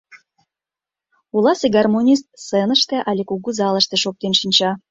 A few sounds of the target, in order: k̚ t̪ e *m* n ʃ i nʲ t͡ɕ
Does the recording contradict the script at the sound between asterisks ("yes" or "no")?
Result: yes